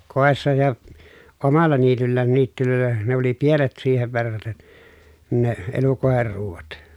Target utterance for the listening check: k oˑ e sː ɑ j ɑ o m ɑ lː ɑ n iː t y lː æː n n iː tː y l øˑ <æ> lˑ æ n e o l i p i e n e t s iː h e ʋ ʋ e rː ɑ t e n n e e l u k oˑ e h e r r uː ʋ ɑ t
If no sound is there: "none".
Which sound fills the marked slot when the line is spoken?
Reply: e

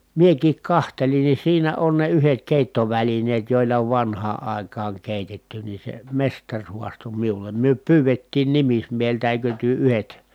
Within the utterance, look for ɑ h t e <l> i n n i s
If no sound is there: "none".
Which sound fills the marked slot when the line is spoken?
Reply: l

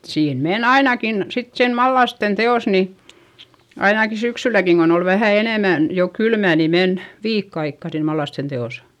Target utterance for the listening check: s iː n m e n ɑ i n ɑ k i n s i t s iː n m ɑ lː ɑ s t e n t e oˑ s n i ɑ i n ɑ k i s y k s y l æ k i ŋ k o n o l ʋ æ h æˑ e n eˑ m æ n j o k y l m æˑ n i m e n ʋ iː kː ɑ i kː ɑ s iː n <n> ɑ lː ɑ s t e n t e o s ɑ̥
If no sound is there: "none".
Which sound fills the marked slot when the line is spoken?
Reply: m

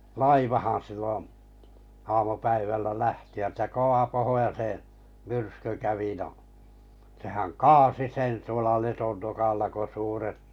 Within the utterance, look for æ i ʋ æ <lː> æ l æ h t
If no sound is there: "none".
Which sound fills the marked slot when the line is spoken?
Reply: lː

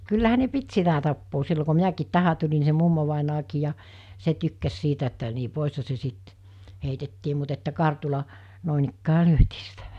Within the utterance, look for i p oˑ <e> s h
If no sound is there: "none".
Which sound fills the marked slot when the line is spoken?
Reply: i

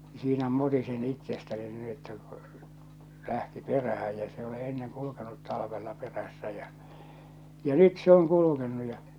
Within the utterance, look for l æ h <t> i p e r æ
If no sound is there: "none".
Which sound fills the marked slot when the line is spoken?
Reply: t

